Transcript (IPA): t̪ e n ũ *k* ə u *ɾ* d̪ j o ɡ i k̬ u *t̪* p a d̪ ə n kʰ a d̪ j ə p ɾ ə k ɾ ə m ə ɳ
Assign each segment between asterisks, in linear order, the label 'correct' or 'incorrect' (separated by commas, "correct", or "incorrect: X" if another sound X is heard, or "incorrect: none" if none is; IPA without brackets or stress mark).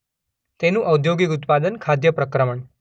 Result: incorrect: ʔ, incorrect: none, correct